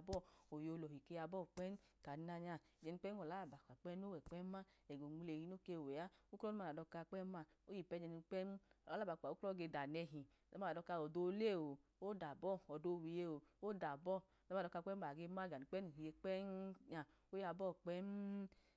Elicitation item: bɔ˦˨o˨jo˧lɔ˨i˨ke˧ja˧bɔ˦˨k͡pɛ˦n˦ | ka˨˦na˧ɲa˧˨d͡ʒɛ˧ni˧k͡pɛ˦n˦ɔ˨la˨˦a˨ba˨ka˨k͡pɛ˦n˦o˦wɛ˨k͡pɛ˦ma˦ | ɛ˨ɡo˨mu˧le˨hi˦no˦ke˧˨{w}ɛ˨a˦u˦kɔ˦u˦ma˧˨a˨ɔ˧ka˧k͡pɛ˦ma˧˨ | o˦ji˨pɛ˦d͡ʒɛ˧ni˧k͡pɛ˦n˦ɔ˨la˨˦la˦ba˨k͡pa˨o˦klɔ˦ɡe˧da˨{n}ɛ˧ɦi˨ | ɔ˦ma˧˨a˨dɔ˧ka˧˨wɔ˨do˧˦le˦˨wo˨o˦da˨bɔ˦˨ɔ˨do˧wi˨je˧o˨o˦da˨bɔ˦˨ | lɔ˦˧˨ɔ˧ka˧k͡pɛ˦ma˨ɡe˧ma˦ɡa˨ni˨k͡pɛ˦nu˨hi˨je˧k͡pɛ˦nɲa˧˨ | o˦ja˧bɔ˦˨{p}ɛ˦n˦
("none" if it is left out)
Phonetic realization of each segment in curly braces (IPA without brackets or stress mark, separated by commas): w, n, k͡p